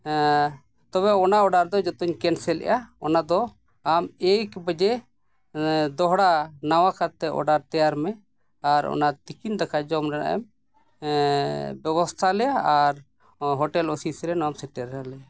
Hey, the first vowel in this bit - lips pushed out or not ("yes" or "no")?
yes